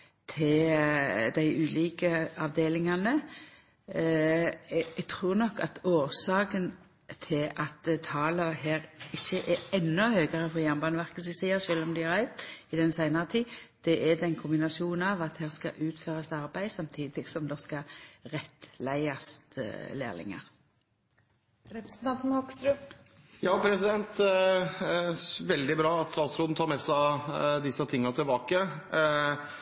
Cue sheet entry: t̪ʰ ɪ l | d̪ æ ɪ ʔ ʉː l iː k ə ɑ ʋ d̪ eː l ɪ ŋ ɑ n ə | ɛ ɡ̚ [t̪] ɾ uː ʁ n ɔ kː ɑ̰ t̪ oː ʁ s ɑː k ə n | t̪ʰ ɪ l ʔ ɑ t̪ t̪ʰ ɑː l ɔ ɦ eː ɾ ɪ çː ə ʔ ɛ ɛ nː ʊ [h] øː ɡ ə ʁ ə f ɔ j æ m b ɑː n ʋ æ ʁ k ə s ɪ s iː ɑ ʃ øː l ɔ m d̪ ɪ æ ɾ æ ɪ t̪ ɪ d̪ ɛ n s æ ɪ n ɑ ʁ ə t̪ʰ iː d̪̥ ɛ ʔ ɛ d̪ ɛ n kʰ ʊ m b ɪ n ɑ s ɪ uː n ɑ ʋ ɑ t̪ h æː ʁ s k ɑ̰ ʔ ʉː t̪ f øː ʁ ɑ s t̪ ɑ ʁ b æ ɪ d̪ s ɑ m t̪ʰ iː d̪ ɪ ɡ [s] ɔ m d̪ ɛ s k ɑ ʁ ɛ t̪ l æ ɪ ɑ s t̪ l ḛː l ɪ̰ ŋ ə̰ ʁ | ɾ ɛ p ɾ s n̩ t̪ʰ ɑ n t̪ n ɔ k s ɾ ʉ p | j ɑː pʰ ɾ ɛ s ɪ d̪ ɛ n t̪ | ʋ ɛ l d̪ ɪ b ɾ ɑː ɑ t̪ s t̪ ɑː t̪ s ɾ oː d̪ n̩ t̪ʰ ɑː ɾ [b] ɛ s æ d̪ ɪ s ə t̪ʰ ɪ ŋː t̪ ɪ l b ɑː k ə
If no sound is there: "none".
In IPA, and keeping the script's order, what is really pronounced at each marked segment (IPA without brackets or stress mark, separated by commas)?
t̪ʰ, h, s, m